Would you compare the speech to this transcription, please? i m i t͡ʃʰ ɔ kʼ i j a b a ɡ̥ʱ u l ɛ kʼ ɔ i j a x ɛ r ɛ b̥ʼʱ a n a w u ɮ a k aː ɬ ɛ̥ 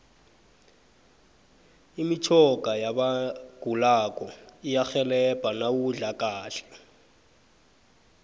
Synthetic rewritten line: i m i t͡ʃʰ ɔ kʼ a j a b a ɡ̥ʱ u l a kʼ ɔ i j a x ɛ l ɛ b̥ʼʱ a n a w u ɮ a k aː ɬ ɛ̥